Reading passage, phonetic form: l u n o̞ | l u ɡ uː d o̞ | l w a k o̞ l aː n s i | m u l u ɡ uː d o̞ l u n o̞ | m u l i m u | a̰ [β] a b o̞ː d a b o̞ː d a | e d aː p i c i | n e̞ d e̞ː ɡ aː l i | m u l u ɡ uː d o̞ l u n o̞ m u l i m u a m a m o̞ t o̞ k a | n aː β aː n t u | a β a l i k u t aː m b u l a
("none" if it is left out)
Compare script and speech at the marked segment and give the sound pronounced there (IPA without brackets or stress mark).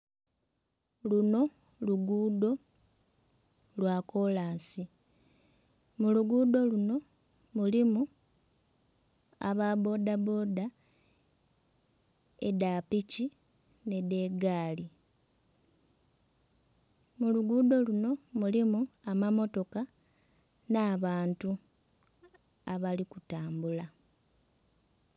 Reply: β